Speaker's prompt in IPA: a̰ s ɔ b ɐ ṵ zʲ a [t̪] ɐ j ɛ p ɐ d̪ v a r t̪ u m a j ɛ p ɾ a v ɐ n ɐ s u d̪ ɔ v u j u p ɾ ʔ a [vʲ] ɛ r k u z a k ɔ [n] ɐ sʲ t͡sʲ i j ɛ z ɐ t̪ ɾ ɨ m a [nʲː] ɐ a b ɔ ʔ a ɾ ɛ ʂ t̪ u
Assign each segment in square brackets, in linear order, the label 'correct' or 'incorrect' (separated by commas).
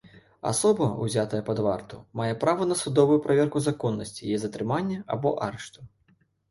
correct, correct, incorrect, correct